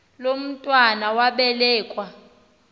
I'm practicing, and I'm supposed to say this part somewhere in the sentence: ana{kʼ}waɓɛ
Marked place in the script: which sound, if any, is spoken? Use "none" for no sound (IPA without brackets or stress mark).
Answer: none